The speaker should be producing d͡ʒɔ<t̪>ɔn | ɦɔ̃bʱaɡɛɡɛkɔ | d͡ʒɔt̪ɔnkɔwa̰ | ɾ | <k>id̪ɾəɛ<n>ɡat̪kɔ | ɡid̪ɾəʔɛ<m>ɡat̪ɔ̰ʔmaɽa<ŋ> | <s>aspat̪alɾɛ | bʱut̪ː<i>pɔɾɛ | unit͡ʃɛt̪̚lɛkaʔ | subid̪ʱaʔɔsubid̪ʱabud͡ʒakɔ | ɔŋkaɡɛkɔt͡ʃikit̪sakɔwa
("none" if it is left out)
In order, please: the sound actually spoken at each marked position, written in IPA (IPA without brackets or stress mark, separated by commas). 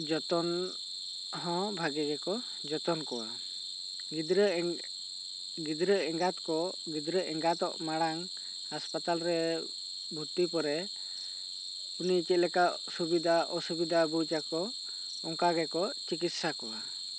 t̪, ɡ, ŋ, ŋ, ŋ, h, i